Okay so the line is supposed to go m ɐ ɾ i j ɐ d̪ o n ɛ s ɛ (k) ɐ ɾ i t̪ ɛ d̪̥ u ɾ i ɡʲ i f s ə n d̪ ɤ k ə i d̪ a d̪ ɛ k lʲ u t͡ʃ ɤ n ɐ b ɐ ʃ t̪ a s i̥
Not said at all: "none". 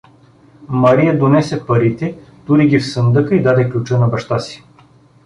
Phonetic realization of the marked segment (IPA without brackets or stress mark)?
p